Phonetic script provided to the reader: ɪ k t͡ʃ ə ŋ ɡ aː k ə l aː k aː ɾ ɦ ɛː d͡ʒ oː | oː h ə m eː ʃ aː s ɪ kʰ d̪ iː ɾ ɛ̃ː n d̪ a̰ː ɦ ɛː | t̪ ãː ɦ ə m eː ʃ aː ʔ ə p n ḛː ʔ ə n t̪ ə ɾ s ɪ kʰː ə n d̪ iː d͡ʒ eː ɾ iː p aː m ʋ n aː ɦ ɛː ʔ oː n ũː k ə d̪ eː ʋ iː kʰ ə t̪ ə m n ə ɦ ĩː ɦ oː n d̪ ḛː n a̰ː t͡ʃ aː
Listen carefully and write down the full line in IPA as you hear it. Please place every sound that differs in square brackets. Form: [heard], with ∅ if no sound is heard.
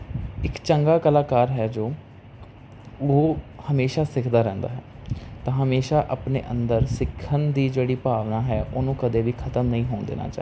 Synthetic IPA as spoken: ɪ k t͡ʃ ə ŋ ɡ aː k ə l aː k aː ɾ ɦ ɛː d͡ʒ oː | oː h ə m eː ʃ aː s ɪ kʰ d̪ [aː] ɾ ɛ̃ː n d̪ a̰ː ɦ ɛː | t̪ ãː ɦ ə m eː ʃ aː ʔ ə p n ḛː ʔ ə n [d̪] ə ɾ s ɪ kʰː ə n d̪ iː d͡ʒ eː [ɽ] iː p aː [∅] ʋ n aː ɦ ɛː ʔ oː n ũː k ə d̪ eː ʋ iː kʰ ə t̪ ə m n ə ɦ ĩː ɦ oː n d̪ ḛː n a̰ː t͡ʃ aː